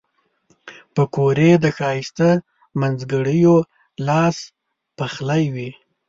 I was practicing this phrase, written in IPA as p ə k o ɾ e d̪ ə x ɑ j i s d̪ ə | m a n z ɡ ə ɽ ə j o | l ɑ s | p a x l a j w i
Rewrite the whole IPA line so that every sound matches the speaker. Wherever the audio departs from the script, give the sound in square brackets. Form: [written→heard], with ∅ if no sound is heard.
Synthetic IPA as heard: p ə k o ɾ e d̪ ə x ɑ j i s [d̪→t̪] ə | m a n z ɡ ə ɽ ə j o | l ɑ s | p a x l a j w i

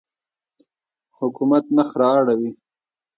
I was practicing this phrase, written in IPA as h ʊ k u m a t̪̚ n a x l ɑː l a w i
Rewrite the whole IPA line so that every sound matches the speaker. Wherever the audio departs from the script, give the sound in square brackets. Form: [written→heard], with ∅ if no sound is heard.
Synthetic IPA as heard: h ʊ k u m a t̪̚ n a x [l→ɾ] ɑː [l→ɽ] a w i

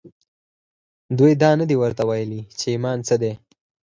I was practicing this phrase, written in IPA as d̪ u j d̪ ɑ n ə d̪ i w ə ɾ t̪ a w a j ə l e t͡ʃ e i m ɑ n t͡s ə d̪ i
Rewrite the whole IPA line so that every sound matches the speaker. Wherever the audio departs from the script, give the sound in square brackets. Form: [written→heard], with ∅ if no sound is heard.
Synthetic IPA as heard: d̪ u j d̪ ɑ n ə d̪ i w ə ɾ t̪ a w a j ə l [e→i] t͡ʃ e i m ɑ n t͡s ə d̪ [i→e]

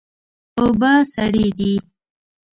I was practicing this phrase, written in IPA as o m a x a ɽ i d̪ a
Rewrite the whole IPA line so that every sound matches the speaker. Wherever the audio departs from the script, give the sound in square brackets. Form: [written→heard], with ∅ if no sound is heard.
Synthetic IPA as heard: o [m→b] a [x→s] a ɽ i d̪ [a→i]

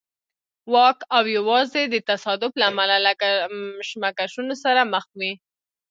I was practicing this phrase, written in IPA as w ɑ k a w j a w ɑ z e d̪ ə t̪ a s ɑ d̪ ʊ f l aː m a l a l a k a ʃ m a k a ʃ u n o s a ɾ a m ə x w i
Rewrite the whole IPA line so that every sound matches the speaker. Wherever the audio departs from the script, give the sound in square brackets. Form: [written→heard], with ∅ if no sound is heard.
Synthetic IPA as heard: w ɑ k a w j a w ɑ z e d̪ ə t̪ a s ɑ d̪ ʊ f l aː m a l a l a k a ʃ m a k a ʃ u n o s a ɾ a m ə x w i

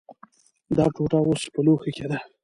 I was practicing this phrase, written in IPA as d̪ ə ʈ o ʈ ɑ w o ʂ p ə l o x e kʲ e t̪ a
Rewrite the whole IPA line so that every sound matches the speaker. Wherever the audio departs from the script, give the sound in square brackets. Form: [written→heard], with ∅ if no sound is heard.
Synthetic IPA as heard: d̪ [ə→ɑ] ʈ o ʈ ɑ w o [ʂ→s] p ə l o x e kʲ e [t̪→d̪] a

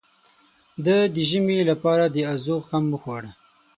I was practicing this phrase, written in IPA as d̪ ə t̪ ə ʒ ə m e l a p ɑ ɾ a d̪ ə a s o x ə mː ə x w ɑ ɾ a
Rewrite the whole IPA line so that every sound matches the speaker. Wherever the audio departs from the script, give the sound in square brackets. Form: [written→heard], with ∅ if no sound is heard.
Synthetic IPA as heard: d̪ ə [t̪→d̪] ə ʒ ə m e l a p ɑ ɾ a d̪ ə a [s→z] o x [ə→a] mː ə x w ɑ [ɾ→ɽ] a

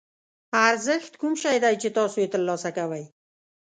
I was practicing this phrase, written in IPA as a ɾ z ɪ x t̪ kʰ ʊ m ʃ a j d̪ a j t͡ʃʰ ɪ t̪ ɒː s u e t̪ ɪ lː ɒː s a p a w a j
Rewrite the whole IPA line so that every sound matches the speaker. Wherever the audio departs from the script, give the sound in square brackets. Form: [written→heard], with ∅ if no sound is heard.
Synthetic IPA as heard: a ɾ z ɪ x t̪ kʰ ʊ m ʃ a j d̪ a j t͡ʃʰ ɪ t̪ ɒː s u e t̪ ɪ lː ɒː s a [p→k] a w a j

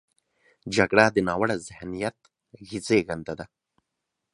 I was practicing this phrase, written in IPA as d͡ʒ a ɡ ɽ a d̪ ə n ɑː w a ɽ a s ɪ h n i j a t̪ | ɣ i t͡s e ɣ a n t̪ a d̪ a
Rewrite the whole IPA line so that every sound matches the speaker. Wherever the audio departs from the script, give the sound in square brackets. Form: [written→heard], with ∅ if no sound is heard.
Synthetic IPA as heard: d͡ʒ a ɡ ɽ a d̪ ə n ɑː w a ɽ a [s→z] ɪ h n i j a t̪ | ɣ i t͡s e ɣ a n [t̪→d̪] a d̪ a

